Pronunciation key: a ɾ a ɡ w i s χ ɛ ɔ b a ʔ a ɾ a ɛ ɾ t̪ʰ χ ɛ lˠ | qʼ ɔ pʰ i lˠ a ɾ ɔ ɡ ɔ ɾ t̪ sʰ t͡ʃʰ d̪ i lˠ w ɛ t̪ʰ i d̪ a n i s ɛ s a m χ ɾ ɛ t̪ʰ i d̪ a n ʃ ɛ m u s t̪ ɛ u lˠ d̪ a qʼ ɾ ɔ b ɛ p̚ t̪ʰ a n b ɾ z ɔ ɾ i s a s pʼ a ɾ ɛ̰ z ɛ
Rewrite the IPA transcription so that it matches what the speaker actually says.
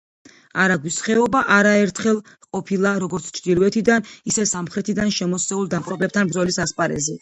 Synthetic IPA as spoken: a ɾ a ɡ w i s χ ɛ ɔ b a ʔ a ɾ a ɛ ɾ t̪ʰ χ ɛ lˠ | qʼ ɔ pʰ i lˠ a ɾ ɔ ɡ ɔ ɾ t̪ sʰ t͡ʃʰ d̪ i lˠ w ɛ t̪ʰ i d̪ a n i s ɛ s a m χ ɾ ɛ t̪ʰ i d̪ a n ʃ ɛ m ɔ s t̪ ɛ u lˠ d̪ a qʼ ɾ ɔ b ɛ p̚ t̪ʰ a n b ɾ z ɔ l i s a s pʼ a ɾ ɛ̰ z ɛ

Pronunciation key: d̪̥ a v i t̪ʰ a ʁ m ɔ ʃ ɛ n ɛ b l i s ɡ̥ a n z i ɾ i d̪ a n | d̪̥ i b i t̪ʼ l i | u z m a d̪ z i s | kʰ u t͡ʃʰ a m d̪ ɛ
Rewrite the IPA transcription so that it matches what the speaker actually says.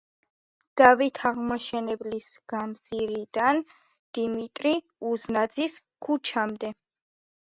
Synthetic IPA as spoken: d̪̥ a v i t̪ʰ a ʁ m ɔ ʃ ɛ n ɛ b l i s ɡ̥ a m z i ɾ i d̪ a n | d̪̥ i m i t̪ʼ ɾ i | u z n a d̪ z i s | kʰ u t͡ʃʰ a m d̪ ɛ

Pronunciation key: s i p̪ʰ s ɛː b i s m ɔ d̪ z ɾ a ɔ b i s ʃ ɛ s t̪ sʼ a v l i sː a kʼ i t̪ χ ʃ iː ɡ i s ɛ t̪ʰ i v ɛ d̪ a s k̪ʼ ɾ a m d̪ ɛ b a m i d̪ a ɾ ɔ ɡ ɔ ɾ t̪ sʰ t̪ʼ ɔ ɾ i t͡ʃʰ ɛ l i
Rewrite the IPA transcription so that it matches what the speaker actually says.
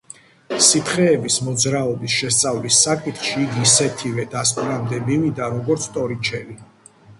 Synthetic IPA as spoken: s i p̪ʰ χ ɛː b i s m ɔ d̪ z ɾ a ɔ b i s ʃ ɛ s t̪ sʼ a v l i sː a kʼ i t̪ χ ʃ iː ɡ i s ɛ t̪ʰ i v ɛ d̪ a s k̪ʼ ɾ a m d̪ ɛ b i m i d̪ a ɾ ɔ ɡ ɔ ɾ t̪ sʰ t̪ʼ ɔ ɾ i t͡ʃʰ ɛ l i

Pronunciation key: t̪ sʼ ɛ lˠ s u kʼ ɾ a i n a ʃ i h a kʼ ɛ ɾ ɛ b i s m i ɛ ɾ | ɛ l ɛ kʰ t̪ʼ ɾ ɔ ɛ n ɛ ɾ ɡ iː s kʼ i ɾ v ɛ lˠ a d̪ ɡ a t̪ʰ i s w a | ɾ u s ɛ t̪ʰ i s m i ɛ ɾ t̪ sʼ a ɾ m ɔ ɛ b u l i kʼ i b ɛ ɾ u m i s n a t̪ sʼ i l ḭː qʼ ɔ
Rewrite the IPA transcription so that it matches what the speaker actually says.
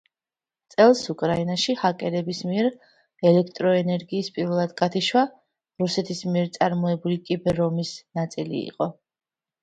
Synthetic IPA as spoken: t̪ sʼ ɛ lˠ s u kʼ ɾ a i n a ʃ i h a kʼ ɛ ɾ ɛ b i s m i ɛ ɾ | ɛ l ɛ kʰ t̪ʼ ɾ ɔ ɛ n ɛ ɾ ɡ iː s pʼ i ɾ v ɛ lˠ a d̪ ɡ a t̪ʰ i ʃ w a | ɾ u s ɛ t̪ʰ i s m i ɛ ɾ t̪ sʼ a ɾ m ɔ ɛ b u l i kʼ i b ɛ ɾ ɔ m i s n a t̪ sʼ i l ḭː qʼ ɔ

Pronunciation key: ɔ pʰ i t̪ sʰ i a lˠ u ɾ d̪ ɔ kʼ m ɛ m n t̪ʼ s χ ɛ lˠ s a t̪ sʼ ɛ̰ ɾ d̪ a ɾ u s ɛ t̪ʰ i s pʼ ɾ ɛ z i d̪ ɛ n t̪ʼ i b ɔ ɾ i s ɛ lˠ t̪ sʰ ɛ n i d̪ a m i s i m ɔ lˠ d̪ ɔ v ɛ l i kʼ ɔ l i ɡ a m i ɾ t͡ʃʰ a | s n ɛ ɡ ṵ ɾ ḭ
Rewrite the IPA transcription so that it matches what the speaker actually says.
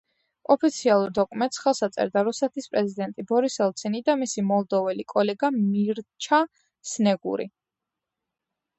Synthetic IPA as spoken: ɔ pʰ i t̪ sʰ i a lˠ u ɾ d̪ ɔ kʼ m ɛ n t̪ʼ s χ ɛ lˠ s a t̪ sʼ ɛ̰ ɾ d̪ a ɾ u s ɛ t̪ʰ i s pʼ ɾ ɛ z i d̪ ɛ n t̪ʼ i b ɔ ɾ i s ɛ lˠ t̪ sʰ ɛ n i d̪ a m i s i m ɔ lˠ d̪ ɔ v ɛ l i kʼ ɔ l ɛ ɡ a m i ɾ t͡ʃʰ a | s n ɛ ɡ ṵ ɾ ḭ

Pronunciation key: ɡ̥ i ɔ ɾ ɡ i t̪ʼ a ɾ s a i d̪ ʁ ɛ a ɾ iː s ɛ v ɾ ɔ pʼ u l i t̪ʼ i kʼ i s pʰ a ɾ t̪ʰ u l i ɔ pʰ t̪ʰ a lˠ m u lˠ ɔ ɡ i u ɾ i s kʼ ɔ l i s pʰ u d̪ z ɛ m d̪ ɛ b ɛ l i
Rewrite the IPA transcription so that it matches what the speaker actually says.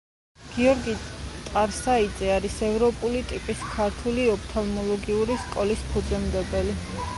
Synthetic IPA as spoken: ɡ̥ i ɔ ɾ ɡ i t̪ʼ a ɾ s a i d̪ z ɛ a ɾ i s ɛ v ɾ ɔ pʼ u l i t̪ʼ i pʼ i s kʰ a ɾ t̪ʰ u l i ɔ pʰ t̪ʰ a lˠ m ɔ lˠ ɔ ɡ i u ɾ i s kʼ ɔ l i s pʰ u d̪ z ɛ m d̪ ɛ b ɛ l i

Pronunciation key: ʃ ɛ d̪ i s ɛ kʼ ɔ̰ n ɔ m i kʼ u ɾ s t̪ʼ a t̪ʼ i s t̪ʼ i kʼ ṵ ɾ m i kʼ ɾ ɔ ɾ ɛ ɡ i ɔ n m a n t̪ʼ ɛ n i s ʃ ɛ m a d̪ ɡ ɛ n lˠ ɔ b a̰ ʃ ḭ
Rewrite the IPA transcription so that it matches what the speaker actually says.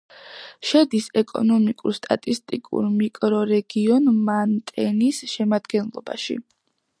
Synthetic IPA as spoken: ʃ ɛ d̪ i s ɛ kʼ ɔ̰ n ɔ m i kʼ u ɾ s t̪ʼ a t̪ʼ i s t̪ʼ i kʼ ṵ ɾ m i kʼ ɾ ɔ ɾ ɛ ɡ i ɔ n m a n t̪ʼ ɛ n i s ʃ ɛ m a d̪ ɡ ɛ n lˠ ɔ b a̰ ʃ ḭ

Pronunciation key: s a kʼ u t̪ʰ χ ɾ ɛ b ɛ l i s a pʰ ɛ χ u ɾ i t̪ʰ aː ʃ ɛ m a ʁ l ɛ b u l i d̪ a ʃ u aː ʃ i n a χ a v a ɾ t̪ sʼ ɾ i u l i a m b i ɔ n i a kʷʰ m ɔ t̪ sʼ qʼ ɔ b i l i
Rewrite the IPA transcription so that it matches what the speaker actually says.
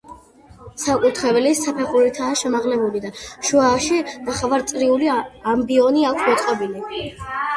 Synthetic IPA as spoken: s a kʼ u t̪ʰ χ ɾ ɛ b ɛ l i s a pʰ ɛ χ u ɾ i t̪ʰ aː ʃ ɛ m a ʁ l ɛ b u l i d̪ a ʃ u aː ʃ i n a χ a v a ɾ t̪ sʼ ɾ i u l i a m b i ɔ n i a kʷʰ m ɔ t̪ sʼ qʼ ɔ b i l i

